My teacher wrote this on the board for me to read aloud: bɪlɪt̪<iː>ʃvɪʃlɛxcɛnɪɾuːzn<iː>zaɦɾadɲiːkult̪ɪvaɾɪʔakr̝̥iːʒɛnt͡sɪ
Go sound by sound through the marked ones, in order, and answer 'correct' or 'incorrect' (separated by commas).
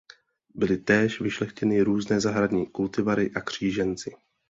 incorrect, incorrect